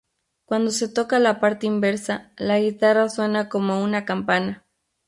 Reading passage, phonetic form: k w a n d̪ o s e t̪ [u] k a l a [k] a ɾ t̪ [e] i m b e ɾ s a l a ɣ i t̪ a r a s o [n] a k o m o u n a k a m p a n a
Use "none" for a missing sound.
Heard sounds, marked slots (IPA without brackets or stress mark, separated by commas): o, p, e, n